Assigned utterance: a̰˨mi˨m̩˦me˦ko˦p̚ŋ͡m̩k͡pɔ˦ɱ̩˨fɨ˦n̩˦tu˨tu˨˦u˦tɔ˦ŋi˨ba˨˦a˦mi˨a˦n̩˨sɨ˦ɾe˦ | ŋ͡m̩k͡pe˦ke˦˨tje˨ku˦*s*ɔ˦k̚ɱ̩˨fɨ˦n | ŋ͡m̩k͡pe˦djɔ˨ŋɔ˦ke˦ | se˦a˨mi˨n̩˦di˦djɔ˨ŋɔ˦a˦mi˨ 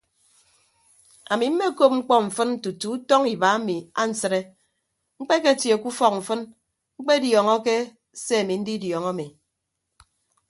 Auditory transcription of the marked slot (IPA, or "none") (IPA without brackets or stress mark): f